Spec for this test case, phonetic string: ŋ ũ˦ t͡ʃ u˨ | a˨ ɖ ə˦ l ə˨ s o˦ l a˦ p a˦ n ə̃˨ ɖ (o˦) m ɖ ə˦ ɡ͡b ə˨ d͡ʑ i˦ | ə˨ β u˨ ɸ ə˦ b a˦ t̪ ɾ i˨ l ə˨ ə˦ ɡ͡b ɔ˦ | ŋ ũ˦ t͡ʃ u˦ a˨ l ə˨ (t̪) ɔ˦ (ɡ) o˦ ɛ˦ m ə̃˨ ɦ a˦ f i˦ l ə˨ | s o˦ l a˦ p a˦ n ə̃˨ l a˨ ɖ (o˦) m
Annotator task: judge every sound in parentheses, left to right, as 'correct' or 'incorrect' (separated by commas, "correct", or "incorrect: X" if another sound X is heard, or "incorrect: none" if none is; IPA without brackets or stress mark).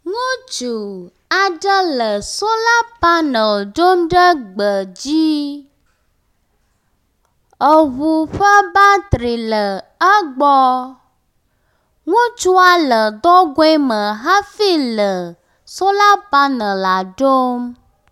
correct, incorrect: d̪, correct, correct